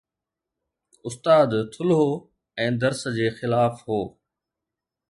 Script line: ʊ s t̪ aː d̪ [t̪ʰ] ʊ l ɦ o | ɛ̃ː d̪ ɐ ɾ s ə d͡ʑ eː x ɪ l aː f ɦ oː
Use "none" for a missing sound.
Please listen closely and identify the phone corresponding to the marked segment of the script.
t̪ʰ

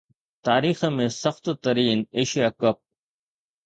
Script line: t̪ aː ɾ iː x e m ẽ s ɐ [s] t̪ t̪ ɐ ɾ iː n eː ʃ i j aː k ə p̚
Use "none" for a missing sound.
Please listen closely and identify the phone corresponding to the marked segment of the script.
x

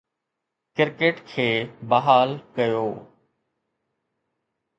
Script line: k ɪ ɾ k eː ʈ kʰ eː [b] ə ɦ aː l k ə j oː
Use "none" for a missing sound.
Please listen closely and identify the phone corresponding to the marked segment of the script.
b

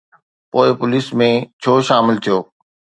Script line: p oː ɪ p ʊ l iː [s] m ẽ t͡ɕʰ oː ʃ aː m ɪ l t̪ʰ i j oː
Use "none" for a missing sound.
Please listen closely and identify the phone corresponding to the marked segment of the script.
s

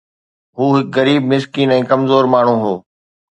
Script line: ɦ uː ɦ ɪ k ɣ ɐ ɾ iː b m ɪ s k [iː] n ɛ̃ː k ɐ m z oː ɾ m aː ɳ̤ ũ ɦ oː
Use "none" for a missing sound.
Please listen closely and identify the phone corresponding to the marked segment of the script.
iː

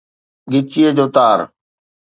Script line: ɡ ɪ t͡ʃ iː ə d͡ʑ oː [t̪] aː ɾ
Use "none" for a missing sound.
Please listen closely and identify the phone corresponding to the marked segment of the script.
t̪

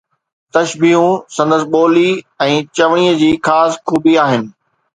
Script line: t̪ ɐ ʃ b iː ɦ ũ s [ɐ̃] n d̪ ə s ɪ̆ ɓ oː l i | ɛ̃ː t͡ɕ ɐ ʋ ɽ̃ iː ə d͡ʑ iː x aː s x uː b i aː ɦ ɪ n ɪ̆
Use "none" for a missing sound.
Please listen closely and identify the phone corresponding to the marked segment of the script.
ɐ̃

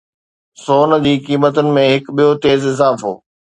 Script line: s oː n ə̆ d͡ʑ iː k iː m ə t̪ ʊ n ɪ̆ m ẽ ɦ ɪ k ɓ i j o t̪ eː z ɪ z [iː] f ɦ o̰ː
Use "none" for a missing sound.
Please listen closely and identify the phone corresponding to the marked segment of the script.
aː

